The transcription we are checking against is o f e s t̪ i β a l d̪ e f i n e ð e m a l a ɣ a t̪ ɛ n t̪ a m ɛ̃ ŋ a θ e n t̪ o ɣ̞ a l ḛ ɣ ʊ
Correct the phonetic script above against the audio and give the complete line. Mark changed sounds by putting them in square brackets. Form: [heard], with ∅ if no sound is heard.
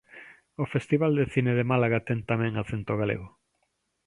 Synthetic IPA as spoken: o f e s t̪ i β a l d̪ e [θ] i n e ð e m a l a ɣ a t̪ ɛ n t̪ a m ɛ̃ ŋ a θ e n t̪ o ɣ̞ a l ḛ ɣ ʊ

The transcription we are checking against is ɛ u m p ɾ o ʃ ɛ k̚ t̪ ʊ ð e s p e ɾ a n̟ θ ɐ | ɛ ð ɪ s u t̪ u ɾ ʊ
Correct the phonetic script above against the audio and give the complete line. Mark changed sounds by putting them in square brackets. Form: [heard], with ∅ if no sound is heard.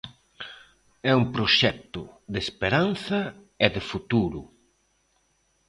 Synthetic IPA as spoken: ɛ u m p ɾ o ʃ ɛ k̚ t̪ ʊ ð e s p e ɾ a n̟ θ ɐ | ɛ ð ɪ [f] u t̪ u ɾ ʊ

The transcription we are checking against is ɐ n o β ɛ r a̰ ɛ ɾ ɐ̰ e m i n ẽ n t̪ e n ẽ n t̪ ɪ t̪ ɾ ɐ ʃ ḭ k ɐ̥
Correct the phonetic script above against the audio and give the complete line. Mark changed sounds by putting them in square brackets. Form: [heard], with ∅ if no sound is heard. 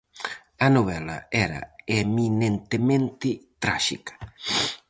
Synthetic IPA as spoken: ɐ n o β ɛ [l] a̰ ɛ ɾ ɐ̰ e m i n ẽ n t̪ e [m] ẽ n t̪ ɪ t̪ ɾ [a] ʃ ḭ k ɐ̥

